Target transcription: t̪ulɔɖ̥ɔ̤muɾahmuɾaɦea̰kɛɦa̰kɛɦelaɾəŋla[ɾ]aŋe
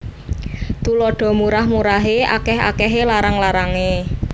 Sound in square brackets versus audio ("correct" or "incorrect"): correct